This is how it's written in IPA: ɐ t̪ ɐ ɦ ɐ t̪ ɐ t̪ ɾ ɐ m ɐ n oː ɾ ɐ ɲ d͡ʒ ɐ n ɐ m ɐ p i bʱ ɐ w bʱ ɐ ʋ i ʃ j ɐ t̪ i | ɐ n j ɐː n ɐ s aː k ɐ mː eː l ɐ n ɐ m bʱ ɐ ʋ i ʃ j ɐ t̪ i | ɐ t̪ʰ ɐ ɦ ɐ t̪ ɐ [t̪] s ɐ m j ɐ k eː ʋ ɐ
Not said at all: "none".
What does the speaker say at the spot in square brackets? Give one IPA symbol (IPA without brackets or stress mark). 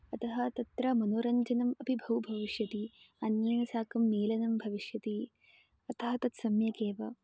t̪